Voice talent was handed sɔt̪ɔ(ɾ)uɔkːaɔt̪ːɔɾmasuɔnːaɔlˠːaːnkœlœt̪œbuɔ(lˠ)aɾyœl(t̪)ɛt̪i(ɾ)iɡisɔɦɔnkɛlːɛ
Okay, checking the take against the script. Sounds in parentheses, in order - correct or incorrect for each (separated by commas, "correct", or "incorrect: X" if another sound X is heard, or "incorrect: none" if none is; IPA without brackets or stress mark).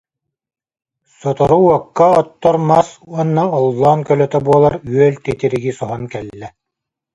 correct, correct, correct, correct